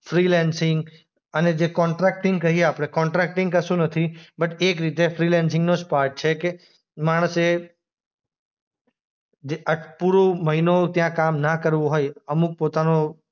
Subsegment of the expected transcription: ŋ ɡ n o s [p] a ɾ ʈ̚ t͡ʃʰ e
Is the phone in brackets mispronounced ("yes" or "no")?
no